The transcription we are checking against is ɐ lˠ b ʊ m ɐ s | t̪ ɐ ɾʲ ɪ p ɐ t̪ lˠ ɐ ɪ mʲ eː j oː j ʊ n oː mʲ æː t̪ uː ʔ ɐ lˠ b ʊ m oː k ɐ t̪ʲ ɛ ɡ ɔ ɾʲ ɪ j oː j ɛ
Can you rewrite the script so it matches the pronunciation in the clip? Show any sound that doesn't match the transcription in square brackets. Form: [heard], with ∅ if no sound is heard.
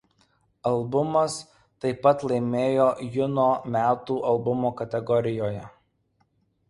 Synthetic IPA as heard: ɐ lˠ b ʊ m ɐ s | t̪ ɐ [∅] ɪ p ɐ t̪ lˠ ɐ ɪ mʲ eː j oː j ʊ n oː mʲ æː t̪ uː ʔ ɐ lˠ b ʊ m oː k ɐ t̪ʲ ɛ ɡ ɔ ɾʲ ɪ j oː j ɛ

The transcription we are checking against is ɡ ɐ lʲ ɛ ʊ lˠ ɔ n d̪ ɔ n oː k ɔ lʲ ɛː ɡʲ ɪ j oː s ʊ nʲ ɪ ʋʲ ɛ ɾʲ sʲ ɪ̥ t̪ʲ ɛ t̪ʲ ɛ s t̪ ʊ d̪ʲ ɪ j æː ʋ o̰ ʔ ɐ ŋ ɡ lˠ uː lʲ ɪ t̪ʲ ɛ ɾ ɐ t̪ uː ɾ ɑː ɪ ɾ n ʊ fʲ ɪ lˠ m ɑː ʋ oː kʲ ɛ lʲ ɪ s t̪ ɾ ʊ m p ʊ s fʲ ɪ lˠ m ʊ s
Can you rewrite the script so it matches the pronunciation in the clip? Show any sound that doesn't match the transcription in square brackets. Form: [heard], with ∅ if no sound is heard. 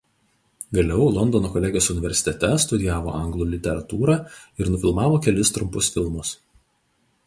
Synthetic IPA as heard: ɡ ɐ lʲ ɛ ʊ lˠ ɔ n d̪ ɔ n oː k ɔ lʲ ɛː ɡʲ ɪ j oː s ʊ nʲ ɪ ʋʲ ɛ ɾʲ sʲ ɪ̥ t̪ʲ ɛ t̪ʲ ɛ s t̪ ʊ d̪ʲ ɪ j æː ʋ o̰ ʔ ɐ ŋ ɡ lˠ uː lʲ ɪ t̪ʲ ɛ ɾ ɐ t̪ uː ɾ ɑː ɪ ɾ n ʊ fʲ ɪ lˠ m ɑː ʋ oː kʲ ɛ lʲ ɪ s t̪ ɾ ʊ m p ʊ s fʲ ɪ lˠ m ʊ s

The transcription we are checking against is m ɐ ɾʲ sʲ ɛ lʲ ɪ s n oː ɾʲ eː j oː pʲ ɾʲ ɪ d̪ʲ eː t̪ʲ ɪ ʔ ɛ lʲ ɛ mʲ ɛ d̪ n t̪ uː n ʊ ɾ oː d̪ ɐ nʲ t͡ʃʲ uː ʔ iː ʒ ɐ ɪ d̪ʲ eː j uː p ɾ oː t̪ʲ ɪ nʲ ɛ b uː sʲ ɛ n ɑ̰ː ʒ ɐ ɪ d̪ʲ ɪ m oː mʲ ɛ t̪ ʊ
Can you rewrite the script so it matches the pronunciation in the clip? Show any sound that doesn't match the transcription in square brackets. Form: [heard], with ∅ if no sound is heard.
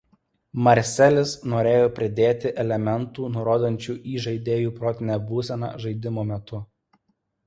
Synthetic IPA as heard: m ɐ ɾʲ sʲ ɛ lʲ ɪ s n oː ɾʲ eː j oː pʲ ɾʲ ɪ d̪ʲ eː t̪ʲ ɪ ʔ ɛ lʲ ɛ mʲ ɛ [∅] n t̪ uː n ʊ ɾ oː d̪ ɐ nʲ t͡ʃʲ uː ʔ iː ʒ ɐ ɪ d̪ʲ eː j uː p ɾ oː t̪ʲ ɪ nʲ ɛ b uː sʲ ɛ n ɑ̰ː ʒ ɐ ɪ d̪ʲ ɪ m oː mʲ ɛ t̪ ʊ

